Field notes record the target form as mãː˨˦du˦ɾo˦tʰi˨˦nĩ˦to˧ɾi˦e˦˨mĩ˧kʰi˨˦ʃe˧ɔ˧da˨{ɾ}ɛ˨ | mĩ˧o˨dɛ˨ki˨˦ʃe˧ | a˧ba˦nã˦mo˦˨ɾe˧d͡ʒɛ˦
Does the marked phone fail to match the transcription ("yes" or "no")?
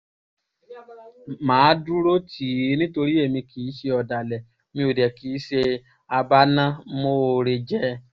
yes